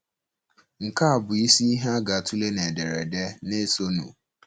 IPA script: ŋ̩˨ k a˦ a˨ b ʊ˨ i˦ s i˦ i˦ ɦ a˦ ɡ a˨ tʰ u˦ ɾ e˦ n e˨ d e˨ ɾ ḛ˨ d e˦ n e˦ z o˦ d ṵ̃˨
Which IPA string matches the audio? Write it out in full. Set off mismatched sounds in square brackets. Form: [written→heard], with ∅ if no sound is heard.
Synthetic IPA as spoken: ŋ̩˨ k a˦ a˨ b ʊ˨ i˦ s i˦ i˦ ɦ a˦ ɡ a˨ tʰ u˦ [ɾ→l] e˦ n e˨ d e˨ ɾ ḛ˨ d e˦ n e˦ [z→s] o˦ [d→n] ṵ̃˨